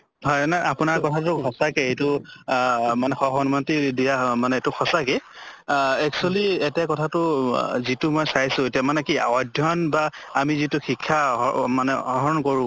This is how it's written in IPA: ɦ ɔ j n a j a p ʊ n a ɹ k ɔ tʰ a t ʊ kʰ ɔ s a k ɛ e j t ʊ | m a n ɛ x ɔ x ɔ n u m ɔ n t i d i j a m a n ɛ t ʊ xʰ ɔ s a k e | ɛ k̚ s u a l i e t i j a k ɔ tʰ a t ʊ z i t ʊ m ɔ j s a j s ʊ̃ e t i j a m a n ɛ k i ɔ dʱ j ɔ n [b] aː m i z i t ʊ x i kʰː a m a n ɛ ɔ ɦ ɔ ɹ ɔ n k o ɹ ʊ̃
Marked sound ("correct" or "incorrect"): correct